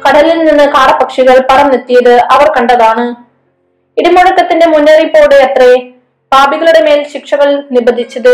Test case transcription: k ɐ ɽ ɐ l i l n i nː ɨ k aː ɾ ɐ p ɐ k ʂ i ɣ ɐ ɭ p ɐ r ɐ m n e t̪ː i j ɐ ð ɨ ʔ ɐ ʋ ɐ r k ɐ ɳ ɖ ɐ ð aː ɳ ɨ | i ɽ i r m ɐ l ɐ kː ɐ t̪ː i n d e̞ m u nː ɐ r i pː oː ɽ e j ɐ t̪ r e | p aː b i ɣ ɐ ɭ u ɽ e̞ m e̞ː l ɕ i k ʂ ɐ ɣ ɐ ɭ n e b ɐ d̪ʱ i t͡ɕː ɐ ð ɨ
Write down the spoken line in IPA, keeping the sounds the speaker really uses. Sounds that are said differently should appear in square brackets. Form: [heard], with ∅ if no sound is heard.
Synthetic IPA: k ɐ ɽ ɐ l i l n i nː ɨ k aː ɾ ɐ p ɐ k ʂ i ɣ ɐ ɭ p ɐ r ɐ m n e t̪ː i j ɐ ð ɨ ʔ ɐ ʋ ɐ r k ɐ ɳ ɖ ɐ ð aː ɳ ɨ | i ɽ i [∅] m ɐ [ɽ] ɐ kː ɐ t̪ː i n d e̞ m u nː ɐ r i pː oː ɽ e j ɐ t̪ r e | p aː b i ɣ ɐ ɭ u ɽ e̞ m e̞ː l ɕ i k ʂ ɐ ɣ ɐ ɭ n [i] b ɐ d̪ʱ i t͡ɕː ɐ ð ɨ